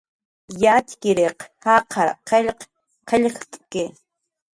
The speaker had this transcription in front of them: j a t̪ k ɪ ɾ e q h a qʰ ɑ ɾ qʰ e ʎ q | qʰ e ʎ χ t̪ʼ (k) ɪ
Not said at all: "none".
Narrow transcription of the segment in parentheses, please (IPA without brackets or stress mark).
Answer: k